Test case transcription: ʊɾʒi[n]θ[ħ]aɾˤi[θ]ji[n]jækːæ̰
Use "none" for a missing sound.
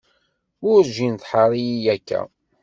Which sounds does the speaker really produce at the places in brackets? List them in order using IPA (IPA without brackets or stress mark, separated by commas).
n, ħ, none, none